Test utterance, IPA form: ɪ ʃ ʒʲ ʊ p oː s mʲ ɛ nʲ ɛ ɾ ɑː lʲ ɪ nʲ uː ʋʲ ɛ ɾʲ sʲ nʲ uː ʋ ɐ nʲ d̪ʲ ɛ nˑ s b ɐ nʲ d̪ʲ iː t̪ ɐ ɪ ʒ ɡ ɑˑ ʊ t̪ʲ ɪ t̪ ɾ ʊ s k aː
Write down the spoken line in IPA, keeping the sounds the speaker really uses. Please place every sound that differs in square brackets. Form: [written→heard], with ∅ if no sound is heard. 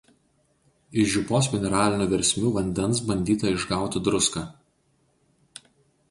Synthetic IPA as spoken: ɪ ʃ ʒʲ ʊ p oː s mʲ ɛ nʲ ɛ ɾ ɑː lʲ ɪ nʲ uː ʋʲ ɛ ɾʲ sʲ [nʲ→mʲ] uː ʋ ɐ nʲ d̪ʲ ɛ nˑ s b ɐ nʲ d̪ʲ iː t̪ ɐ ɪ ʒ ɡ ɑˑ ʊ t̪ʲ ɪ [t̪→d̪] ɾ ʊ s k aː